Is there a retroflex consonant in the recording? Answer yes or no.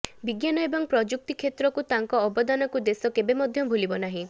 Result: no